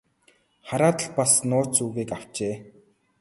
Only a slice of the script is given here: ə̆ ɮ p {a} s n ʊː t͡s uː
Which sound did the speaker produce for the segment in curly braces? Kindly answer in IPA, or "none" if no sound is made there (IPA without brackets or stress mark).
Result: a